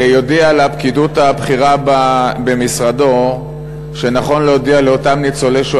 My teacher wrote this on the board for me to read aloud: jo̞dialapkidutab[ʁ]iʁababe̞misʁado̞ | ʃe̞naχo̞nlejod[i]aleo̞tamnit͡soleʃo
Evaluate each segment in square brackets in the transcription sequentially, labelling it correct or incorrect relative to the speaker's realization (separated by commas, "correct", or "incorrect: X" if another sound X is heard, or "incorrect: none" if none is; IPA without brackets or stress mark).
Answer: incorrect: χ, correct